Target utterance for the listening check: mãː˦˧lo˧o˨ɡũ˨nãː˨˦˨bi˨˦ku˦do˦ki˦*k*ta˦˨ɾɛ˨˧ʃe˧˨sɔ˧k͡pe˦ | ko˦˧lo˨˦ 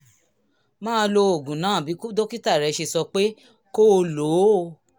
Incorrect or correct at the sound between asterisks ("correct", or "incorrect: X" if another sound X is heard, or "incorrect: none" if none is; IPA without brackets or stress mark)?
incorrect: none